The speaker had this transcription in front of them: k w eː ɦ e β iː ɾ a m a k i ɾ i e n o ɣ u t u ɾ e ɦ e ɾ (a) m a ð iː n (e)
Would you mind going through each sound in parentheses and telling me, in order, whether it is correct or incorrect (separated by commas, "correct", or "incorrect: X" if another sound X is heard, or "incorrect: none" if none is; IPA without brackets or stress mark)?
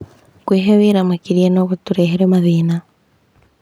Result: incorrect: e, incorrect: a